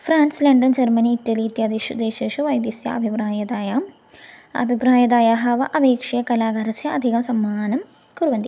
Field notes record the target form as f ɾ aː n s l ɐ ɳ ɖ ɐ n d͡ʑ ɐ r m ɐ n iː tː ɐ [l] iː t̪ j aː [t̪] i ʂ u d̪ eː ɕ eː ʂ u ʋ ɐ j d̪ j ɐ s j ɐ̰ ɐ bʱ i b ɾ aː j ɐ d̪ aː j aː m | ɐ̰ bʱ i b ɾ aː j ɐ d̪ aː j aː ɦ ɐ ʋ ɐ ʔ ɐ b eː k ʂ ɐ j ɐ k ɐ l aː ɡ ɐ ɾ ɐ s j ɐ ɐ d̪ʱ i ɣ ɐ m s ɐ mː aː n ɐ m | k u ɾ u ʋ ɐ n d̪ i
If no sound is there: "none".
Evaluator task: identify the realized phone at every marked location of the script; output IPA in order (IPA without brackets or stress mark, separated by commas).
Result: l, d̪